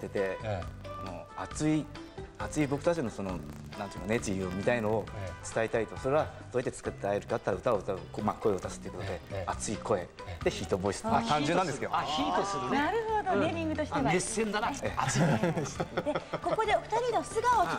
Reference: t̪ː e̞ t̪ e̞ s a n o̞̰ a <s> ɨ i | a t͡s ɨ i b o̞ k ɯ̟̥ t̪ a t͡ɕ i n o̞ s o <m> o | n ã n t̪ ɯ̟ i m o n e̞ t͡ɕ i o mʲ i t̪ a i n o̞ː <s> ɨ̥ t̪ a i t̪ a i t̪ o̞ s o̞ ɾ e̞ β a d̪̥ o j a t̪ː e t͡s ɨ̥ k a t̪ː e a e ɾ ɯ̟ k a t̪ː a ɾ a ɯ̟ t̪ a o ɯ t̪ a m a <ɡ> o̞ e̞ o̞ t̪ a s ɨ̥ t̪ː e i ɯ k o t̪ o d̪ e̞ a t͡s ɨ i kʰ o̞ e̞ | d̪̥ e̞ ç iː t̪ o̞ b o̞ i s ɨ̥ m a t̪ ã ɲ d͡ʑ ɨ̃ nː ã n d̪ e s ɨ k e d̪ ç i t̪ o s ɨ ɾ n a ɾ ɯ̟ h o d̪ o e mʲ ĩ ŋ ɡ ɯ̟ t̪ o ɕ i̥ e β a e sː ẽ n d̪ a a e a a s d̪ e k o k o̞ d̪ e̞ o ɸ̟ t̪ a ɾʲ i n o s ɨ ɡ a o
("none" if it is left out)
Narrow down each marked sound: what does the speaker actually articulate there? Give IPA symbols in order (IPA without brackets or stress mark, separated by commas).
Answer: t͡s, n, t͡s, k